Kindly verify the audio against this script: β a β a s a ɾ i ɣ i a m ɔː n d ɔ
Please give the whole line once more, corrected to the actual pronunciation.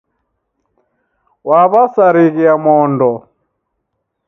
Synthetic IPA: w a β a s a ɾ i ɣ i a m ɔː n d ɔ